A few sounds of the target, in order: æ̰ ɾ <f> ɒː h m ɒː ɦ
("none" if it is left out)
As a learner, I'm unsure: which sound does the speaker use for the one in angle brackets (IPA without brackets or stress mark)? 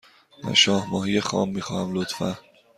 ʃ